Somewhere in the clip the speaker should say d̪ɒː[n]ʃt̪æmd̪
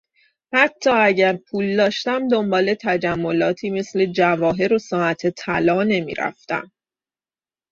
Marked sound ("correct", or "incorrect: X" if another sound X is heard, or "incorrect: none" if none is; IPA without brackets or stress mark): incorrect: none